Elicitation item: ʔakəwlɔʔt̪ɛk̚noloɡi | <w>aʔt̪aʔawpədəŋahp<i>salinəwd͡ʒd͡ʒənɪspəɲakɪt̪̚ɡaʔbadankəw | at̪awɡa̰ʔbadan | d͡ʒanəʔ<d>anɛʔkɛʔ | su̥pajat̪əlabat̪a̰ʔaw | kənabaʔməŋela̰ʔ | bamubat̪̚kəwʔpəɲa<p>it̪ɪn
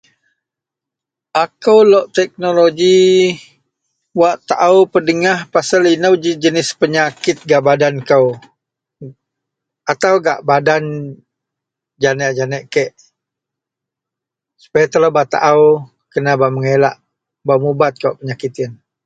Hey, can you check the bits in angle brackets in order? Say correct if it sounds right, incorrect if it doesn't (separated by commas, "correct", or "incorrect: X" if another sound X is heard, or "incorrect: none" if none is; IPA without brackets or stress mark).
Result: correct, incorrect: a, incorrect: d͡ʒ, incorrect: k